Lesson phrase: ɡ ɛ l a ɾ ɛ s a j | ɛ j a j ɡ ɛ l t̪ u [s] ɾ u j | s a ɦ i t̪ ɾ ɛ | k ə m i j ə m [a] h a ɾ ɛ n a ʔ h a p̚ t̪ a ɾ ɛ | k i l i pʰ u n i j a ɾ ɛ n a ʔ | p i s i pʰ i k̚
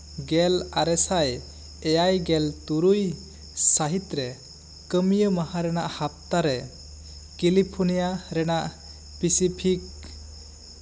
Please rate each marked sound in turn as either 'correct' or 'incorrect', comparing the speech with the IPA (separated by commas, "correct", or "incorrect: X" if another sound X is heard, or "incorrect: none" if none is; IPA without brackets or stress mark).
incorrect: none, correct